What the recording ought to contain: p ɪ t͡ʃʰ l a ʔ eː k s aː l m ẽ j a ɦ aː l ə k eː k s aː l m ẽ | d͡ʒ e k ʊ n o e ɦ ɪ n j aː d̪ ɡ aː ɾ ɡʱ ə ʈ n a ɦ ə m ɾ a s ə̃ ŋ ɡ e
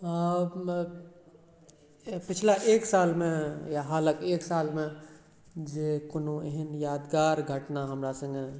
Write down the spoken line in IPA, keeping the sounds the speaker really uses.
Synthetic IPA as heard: p ɪ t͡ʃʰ l a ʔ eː k s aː l m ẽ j a ɦ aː l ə k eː k s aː l m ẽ | d͡ʒ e k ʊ n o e ɦ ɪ n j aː d̪ ɡ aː ɾ ɡʱ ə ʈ n a ɦ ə m ɾ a s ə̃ ŋ ɡ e